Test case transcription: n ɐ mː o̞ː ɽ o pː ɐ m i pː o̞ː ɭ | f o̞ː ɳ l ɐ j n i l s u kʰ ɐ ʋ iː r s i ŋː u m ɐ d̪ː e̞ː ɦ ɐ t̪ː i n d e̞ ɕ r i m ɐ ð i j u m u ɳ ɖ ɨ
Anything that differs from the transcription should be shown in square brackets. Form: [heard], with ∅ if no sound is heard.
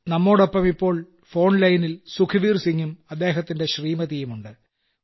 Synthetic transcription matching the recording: n ɐ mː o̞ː ɽ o pː ɐ m i pː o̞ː ɭ | f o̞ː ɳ l ɐ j n i l s u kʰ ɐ ʋ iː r s i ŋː u m ɐ d̪ː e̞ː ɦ ɐ t̪ː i n d e̞ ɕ r [iː] m ɐ ð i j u m u ɳ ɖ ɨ